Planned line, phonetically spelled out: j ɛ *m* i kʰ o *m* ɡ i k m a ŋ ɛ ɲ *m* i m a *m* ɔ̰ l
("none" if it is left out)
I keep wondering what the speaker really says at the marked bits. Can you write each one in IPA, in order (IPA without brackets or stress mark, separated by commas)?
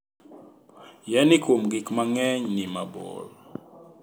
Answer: n, m, n, b